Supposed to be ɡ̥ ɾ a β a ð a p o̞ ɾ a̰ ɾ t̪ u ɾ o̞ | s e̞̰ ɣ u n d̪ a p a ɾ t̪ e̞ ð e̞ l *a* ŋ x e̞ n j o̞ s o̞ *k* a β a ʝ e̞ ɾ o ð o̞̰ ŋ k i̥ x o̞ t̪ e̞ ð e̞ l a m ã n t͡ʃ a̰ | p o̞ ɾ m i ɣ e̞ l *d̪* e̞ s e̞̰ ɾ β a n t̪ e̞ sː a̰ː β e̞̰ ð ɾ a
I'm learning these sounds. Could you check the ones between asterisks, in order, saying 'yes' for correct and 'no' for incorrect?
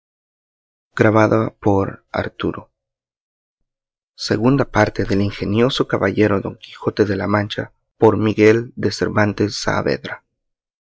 no, yes, yes

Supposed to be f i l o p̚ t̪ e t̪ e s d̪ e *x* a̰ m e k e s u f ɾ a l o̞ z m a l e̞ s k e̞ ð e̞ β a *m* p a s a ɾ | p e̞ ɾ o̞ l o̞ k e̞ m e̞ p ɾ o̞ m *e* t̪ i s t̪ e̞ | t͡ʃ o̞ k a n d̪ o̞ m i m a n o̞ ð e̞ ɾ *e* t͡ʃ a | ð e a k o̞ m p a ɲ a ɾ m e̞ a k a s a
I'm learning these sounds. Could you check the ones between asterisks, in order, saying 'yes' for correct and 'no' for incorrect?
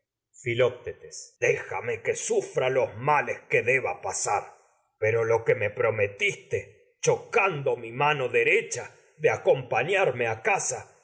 yes, no, yes, yes

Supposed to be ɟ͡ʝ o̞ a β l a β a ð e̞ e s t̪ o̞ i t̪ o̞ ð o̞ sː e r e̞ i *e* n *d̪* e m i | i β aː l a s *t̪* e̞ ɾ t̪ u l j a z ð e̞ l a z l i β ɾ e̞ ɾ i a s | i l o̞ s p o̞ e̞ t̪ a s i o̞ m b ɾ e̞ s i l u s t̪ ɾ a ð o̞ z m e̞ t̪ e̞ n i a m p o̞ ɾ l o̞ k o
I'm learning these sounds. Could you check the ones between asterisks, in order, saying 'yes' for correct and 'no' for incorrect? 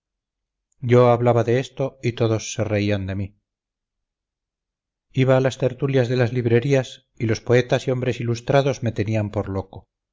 no, yes, yes

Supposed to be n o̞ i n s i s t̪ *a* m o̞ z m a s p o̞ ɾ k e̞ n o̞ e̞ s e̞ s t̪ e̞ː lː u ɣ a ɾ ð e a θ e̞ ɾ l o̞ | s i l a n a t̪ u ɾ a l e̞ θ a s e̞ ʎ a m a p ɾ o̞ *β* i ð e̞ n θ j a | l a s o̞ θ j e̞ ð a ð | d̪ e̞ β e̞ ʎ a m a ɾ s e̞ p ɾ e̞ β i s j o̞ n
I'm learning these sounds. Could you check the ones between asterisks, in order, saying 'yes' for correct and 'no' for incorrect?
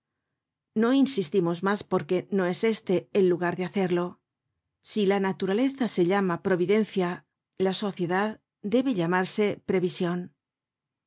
no, yes

